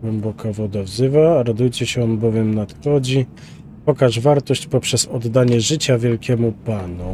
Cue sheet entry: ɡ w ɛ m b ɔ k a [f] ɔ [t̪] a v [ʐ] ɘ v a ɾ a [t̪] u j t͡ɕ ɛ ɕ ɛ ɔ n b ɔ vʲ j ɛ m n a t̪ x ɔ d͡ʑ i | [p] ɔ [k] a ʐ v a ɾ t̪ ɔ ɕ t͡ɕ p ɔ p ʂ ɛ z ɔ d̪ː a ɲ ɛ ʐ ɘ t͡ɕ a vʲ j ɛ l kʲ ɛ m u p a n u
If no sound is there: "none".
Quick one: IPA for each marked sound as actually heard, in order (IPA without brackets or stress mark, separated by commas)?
v, d̪, z, d̪, p, k